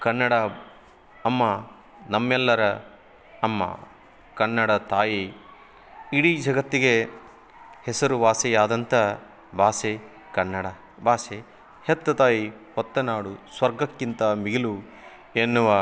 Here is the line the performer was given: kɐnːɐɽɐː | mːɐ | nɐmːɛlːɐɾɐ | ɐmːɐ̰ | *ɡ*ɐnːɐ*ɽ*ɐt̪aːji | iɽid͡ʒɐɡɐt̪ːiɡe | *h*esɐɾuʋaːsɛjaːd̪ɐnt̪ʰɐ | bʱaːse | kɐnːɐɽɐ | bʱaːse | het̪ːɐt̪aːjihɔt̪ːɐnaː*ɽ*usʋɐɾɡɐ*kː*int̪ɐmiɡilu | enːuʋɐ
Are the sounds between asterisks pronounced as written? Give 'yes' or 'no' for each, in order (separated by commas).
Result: no, yes, yes, yes, yes